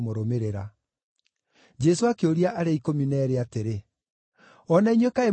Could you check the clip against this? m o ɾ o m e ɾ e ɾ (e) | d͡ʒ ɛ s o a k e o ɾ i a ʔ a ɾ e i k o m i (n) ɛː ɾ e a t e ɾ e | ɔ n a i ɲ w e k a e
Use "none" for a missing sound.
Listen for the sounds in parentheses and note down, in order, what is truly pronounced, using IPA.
a, n

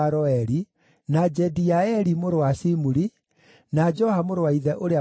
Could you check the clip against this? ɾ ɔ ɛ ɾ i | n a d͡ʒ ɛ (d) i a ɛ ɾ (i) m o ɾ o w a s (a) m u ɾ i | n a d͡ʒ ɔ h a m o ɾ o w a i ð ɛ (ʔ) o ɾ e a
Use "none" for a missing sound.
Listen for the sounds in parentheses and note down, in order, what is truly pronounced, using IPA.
d, i, i, ʔ

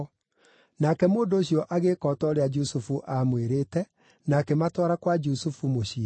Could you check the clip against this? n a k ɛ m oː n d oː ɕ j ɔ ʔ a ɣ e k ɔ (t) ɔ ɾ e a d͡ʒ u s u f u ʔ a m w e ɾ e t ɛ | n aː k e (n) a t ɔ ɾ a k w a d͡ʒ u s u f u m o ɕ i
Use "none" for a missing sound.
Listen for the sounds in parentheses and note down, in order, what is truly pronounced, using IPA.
t, m

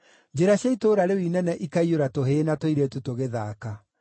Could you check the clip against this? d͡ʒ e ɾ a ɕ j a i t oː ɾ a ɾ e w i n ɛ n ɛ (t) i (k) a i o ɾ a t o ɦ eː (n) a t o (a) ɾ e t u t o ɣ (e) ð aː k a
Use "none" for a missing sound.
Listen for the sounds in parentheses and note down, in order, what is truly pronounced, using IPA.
ʔ, k, n, i, e

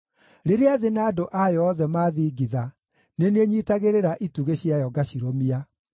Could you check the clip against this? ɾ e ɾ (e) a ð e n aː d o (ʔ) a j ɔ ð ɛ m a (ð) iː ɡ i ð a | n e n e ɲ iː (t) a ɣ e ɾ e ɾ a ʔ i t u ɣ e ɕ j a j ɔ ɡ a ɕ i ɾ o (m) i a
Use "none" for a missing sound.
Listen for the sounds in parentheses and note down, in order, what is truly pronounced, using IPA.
e, ʔ, ð, t, m

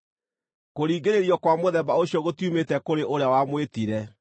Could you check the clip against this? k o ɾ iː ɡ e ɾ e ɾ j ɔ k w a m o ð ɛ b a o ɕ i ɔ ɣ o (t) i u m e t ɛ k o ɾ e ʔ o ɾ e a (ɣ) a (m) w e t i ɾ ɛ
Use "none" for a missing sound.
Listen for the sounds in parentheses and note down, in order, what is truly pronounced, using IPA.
t, w, m

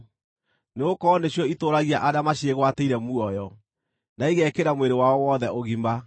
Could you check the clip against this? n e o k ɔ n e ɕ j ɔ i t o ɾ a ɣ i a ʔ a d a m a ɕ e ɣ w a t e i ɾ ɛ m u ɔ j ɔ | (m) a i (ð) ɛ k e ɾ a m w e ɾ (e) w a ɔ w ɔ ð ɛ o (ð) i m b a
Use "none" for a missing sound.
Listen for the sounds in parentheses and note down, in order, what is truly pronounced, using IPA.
n, ɣ, e, ɣ

